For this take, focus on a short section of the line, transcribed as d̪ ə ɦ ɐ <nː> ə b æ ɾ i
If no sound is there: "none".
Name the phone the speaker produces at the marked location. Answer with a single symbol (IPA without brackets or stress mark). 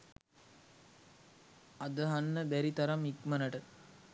nː